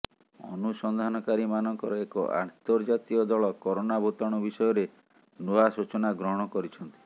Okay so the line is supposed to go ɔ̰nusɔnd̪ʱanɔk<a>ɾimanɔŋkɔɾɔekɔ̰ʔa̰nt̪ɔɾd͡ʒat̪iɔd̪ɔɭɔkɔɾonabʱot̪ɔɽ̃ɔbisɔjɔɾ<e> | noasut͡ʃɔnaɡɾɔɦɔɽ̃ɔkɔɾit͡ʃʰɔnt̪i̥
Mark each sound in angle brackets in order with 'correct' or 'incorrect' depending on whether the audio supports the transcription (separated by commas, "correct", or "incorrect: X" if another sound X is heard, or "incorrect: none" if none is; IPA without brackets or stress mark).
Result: correct, correct